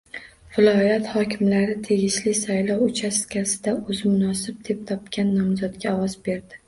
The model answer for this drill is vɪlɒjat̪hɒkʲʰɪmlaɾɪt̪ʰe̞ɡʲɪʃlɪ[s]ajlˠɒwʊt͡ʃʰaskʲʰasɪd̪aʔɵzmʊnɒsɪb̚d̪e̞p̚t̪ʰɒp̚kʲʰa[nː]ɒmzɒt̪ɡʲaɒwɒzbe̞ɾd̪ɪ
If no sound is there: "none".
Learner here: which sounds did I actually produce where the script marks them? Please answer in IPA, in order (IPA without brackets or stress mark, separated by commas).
s, nː